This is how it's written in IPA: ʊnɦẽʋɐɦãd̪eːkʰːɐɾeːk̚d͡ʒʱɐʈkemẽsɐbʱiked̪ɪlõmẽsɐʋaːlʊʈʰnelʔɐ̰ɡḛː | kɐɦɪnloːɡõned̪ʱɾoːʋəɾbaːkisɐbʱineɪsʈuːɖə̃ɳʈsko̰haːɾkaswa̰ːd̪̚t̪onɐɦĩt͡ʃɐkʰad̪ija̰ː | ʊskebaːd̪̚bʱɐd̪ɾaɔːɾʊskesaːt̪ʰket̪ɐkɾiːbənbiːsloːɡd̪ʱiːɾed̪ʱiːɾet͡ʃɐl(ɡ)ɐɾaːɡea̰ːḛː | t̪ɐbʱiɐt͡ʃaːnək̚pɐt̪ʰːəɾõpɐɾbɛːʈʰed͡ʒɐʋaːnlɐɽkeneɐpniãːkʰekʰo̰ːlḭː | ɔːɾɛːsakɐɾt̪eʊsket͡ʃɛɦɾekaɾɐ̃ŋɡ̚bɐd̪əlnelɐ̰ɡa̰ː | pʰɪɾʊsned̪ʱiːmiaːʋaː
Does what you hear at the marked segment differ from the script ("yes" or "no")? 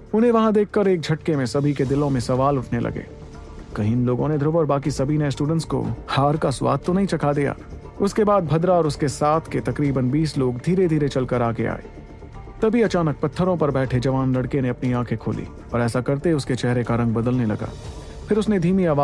yes